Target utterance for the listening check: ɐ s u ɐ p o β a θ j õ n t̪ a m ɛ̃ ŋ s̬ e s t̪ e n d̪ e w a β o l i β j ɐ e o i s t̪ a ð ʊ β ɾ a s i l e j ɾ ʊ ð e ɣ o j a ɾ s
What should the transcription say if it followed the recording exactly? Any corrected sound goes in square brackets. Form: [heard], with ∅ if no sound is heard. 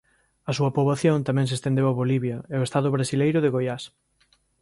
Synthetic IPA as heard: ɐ s u ɐ p o β a θ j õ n t̪ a m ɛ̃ ŋ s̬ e s t̪ e n d̪ e w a β o l i β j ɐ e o [e] s t̪ a ð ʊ β ɾ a s i l e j ɾ ʊ ð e ɣ o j a [∅] s